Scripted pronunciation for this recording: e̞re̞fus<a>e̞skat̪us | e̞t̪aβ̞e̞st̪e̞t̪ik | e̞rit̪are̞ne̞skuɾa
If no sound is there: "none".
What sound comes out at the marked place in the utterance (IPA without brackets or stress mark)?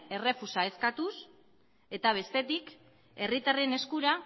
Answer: a